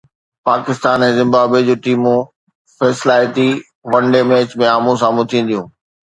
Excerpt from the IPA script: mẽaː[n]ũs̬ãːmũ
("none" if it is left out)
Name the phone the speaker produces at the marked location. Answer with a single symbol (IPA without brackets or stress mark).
m